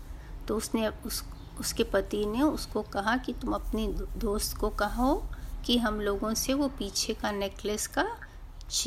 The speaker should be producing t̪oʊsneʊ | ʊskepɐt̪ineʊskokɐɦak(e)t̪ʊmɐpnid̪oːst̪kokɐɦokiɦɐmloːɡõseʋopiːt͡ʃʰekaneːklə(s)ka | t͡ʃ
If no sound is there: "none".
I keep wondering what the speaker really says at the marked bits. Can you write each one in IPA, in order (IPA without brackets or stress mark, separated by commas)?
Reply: i, s